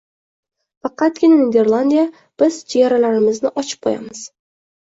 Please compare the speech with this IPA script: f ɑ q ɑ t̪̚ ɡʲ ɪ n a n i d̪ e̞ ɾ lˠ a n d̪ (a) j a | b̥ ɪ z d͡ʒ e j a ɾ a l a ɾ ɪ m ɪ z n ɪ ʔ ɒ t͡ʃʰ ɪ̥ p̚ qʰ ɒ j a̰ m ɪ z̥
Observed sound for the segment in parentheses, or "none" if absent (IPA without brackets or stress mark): i